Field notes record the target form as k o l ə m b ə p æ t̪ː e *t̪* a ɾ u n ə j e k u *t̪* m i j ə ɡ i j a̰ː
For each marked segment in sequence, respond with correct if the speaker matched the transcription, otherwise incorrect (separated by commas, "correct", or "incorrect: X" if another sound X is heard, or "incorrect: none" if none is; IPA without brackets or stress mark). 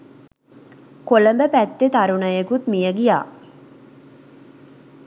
correct, correct